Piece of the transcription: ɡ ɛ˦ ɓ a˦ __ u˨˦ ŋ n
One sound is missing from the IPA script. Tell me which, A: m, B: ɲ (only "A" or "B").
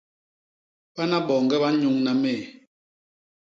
B